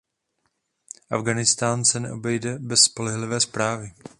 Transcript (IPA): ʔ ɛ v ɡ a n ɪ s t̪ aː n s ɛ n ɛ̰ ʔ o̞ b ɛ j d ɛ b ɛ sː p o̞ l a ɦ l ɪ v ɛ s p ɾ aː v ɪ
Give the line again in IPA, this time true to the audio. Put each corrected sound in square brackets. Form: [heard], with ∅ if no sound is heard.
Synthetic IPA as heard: ʔ [a] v ɡ a n ɪ s t̪ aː n s ɛ n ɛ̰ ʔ o̞ b ɛ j d ɛ b ɛ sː p o̞ l [ɛ] ɦ l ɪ v [ɛː] s p ɾ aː v ɪ